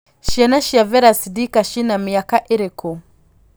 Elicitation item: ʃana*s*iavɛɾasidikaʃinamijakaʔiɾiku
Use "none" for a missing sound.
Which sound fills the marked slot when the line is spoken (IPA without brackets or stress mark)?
ʃ